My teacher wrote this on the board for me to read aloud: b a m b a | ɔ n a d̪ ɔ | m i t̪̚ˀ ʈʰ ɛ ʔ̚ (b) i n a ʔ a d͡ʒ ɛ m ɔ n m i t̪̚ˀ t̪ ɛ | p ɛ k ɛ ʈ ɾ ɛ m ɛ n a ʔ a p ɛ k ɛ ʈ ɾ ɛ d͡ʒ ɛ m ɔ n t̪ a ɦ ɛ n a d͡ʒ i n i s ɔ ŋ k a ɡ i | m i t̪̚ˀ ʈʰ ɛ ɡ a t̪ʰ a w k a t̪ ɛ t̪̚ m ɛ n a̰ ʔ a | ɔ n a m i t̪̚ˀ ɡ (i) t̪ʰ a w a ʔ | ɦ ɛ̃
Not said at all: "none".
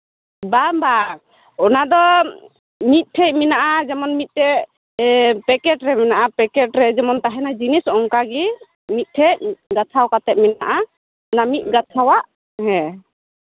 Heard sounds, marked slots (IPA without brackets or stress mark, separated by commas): m, a